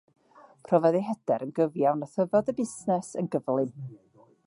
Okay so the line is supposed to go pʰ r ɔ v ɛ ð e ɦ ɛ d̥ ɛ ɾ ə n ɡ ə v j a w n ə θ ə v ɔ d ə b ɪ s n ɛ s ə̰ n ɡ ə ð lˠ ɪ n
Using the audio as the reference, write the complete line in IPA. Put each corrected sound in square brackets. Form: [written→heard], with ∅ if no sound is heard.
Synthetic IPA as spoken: pʰ r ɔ v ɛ ð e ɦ ɛ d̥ ɛ ɾ ə n ɡ ə v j a w n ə θ ə v ɔ d ə b ɪ s n ɛ s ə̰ n ɡ ə [ð→v] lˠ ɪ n